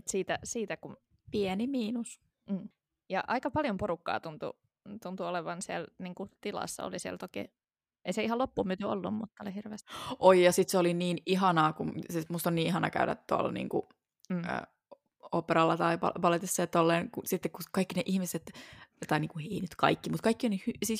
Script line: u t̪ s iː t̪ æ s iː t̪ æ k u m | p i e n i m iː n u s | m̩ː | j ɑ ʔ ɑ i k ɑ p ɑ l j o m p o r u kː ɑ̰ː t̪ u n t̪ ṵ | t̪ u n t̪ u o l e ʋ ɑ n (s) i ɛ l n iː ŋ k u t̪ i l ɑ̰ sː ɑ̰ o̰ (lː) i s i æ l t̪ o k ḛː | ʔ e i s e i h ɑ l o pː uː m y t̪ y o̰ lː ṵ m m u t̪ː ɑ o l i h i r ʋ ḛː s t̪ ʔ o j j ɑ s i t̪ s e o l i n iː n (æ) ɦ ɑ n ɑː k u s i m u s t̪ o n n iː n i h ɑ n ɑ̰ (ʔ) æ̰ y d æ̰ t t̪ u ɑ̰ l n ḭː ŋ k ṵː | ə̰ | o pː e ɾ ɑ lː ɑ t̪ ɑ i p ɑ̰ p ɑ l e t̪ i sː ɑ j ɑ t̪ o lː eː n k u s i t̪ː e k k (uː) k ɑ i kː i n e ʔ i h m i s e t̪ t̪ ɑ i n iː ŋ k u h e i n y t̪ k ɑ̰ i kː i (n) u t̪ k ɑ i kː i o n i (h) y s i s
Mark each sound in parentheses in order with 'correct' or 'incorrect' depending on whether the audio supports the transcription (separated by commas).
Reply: correct, incorrect, incorrect, incorrect, incorrect, incorrect, correct